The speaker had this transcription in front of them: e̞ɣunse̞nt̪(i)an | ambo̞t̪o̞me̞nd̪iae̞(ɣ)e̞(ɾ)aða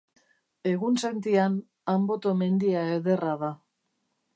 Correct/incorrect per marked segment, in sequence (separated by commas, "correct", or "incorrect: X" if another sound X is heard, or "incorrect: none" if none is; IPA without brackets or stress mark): correct, incorrect: ð, incorrect: r